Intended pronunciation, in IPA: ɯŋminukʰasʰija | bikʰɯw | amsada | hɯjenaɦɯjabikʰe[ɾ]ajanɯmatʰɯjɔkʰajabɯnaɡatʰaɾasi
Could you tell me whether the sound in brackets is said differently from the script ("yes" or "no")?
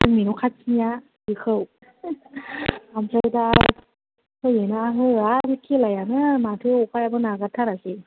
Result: yes